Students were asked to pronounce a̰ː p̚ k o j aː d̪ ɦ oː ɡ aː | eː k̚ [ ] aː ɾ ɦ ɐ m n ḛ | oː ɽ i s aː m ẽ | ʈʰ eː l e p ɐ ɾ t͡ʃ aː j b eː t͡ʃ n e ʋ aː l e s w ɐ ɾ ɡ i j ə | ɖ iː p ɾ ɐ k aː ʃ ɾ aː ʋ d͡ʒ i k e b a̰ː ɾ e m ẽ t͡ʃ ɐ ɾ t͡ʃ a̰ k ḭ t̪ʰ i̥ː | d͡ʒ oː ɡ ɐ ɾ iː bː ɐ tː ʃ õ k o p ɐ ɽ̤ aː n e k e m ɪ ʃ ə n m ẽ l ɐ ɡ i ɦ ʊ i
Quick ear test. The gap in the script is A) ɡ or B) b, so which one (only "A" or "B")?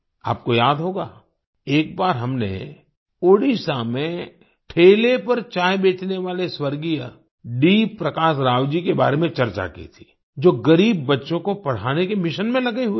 B